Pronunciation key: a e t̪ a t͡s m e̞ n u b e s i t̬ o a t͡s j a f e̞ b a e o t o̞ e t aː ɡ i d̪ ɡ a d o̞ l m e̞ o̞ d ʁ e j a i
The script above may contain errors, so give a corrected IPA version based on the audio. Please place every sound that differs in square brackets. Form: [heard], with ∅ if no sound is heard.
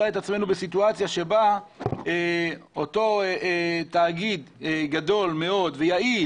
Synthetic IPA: a e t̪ a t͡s m e̞ n u b e s i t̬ [u] a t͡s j a [ʃ] e̞ b a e o t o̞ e t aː ɡ i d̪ ɡ a d o̞ l m e̞ o̞ d [v] e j a i